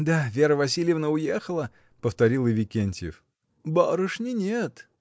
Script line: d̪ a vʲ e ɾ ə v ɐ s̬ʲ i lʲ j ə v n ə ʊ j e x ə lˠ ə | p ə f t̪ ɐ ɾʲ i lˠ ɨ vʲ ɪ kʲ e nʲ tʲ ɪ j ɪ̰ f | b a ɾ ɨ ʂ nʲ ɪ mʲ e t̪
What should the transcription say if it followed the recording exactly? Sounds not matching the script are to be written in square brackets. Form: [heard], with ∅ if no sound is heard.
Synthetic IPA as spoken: d̪ a vʲ e ɾ ə v ɐ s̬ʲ i lʲ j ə v n ə ʊ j e x ə lˠ ə | p ə f t̪ ɐ ɾʲ i lˠ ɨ vʲ ɪ kʲ e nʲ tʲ ɪ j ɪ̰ f | b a ɾ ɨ ʂ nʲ ɪ [nʲ] e t̪

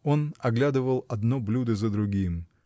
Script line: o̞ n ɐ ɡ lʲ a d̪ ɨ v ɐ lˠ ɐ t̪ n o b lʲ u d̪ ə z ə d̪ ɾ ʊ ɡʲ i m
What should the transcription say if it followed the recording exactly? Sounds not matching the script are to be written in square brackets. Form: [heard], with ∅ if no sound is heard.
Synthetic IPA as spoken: o̞ n ɐ ɡ lʲ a d̪ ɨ v [ə] lˠ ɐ [d̪] n o b lʲ u d̪ ə z ə d̪ ɾ ʊ ɡʲ i m

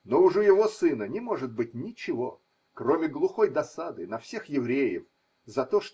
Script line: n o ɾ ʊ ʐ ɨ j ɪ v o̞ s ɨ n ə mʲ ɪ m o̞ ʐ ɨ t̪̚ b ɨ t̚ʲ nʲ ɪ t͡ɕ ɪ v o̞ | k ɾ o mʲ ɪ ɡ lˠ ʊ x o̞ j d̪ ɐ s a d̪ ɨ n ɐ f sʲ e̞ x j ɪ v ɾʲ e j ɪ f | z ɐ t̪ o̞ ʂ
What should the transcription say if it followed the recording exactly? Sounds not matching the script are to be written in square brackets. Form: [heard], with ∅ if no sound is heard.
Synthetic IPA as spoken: n o [∅] ʊ ʐ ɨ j ɪ v o̞ s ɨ n ə [nʲ] ɪ m o̞ ʐ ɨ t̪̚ b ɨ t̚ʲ nʲ ɪ t͡ɕ ɪ v o̞ | k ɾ o mʲ ɪ ɡ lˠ ʊ x o̞ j d̪ ɐ s a d̪ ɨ n ɐ f sʲ e̞ x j ɪ v ɾʲ e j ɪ f | z ɐ t̪ o̞ ʂ

